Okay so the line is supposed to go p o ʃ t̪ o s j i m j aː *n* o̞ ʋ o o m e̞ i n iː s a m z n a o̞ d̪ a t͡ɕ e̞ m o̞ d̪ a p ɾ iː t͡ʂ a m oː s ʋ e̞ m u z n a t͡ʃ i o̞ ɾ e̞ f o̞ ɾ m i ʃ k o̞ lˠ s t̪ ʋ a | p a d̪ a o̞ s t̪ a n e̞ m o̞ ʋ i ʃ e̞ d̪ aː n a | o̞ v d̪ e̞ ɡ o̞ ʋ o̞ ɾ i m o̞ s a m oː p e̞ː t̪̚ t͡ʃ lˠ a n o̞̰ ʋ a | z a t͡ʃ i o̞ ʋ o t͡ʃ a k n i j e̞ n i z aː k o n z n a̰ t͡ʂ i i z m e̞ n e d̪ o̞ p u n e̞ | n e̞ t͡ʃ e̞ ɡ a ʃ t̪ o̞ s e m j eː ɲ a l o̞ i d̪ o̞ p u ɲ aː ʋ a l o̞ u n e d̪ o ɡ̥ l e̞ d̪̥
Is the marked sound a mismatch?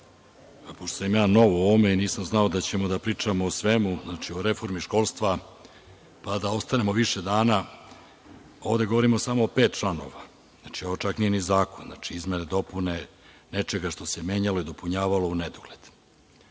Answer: no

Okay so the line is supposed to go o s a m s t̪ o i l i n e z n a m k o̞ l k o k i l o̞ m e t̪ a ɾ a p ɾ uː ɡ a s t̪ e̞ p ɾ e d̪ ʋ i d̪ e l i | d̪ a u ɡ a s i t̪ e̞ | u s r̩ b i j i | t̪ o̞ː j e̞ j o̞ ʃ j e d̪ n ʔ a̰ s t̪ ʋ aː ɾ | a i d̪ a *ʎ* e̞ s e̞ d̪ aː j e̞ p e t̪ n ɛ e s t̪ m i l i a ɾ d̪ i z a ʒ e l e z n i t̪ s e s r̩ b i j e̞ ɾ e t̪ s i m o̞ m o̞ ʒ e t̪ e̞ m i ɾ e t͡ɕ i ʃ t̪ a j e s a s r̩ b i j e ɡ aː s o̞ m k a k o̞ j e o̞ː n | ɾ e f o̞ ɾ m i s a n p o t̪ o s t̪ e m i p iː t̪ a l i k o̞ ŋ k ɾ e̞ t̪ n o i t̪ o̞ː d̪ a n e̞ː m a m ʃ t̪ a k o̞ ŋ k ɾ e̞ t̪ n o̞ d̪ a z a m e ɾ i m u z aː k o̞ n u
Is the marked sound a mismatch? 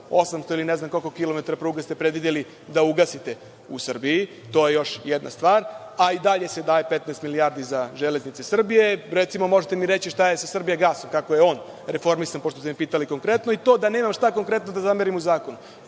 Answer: no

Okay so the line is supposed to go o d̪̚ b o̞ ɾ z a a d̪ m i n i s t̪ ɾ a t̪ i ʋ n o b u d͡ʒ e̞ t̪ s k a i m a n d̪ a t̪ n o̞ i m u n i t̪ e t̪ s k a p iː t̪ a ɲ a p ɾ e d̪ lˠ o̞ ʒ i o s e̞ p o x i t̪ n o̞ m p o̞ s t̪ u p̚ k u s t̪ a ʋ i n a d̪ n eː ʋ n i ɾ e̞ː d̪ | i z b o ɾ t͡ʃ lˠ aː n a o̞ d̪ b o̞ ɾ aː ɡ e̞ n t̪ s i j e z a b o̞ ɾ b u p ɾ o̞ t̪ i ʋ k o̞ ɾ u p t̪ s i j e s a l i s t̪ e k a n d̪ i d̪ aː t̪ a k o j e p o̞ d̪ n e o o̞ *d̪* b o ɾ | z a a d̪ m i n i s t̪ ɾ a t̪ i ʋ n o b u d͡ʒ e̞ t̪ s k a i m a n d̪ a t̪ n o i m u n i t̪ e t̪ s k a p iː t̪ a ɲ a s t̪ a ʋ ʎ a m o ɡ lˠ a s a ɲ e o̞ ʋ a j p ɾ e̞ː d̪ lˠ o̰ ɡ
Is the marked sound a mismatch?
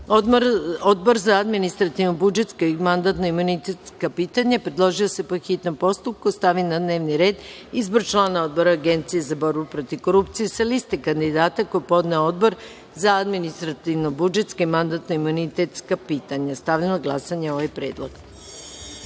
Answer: no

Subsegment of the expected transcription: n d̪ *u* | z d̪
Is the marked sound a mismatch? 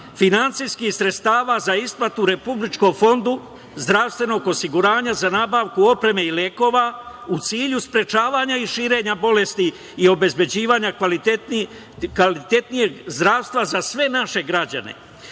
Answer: no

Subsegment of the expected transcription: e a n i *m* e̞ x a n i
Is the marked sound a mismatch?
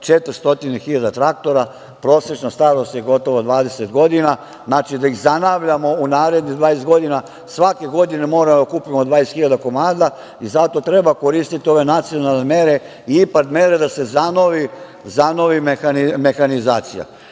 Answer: no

